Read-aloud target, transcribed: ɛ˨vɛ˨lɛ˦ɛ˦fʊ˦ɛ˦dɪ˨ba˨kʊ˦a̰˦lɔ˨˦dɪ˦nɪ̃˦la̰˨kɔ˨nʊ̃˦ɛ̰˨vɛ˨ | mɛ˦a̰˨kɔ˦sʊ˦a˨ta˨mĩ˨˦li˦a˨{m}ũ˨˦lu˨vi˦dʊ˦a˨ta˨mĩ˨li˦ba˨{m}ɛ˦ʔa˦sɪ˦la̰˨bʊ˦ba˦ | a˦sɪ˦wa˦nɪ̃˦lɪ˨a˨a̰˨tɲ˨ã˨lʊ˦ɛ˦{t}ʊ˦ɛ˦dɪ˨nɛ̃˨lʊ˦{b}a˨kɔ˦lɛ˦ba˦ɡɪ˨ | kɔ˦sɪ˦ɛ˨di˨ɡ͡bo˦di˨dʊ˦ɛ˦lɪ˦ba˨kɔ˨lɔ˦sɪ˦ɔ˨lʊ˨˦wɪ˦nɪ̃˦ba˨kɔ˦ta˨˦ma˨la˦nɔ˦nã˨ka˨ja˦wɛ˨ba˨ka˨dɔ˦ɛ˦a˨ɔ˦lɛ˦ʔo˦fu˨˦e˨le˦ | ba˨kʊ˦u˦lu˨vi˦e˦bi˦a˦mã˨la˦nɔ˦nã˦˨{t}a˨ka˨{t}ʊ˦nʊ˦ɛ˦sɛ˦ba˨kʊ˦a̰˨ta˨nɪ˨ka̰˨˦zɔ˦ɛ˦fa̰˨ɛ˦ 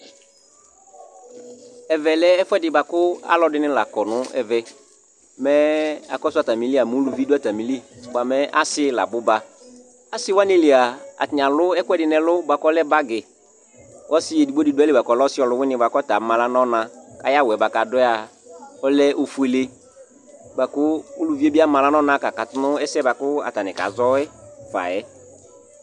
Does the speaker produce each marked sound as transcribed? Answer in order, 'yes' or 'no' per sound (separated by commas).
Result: yes, yes, no, yes, no, yes